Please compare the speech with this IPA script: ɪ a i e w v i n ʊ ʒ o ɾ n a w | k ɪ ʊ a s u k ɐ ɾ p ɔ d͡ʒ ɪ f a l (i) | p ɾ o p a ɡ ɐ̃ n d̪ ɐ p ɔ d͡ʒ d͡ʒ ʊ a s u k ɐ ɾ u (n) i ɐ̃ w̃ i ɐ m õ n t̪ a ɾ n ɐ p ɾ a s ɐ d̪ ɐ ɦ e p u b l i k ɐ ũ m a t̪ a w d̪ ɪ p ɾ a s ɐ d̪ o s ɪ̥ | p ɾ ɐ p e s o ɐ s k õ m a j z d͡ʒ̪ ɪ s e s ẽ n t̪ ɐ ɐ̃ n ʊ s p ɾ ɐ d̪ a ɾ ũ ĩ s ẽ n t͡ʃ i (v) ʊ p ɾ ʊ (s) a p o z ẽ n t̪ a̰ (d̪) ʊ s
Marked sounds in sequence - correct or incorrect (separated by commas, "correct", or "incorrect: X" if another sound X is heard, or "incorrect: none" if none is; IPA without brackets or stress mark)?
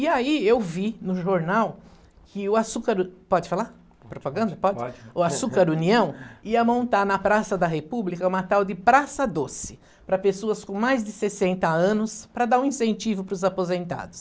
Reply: incorrect: a, correct, correct, incorrect: z, correct